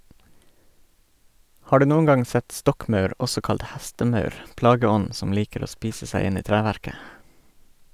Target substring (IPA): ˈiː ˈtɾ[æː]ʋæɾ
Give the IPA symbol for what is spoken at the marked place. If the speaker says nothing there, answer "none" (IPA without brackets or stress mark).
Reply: æː